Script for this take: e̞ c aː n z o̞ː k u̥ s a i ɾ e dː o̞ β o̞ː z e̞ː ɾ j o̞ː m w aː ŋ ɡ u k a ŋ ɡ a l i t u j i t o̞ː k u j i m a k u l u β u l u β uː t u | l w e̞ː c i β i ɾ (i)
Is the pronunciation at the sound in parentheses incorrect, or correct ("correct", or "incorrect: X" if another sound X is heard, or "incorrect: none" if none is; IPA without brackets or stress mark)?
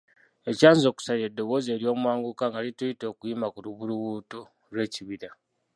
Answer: incorrect: a